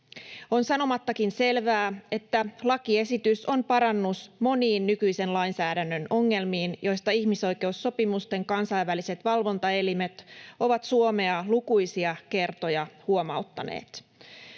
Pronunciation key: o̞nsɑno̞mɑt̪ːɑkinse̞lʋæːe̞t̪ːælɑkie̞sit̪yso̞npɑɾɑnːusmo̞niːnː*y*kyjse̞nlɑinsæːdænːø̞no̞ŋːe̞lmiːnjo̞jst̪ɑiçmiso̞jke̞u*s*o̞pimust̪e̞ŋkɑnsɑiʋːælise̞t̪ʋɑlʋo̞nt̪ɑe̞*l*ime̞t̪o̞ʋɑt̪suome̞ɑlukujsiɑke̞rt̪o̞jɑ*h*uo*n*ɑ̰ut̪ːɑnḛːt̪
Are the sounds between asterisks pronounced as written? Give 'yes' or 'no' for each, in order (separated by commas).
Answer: yes, no, yes, yes, no